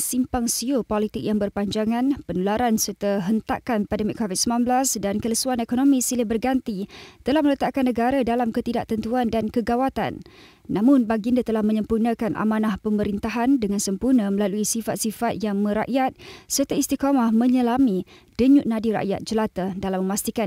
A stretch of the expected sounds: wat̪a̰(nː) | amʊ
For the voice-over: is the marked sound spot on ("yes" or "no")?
yes